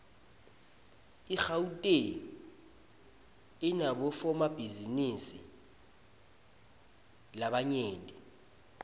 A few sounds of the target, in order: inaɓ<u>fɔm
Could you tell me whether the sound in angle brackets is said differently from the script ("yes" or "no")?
yes